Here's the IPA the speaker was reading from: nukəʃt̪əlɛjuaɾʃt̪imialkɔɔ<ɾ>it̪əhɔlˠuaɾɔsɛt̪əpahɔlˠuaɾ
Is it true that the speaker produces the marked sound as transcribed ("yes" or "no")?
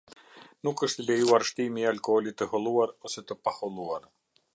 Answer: no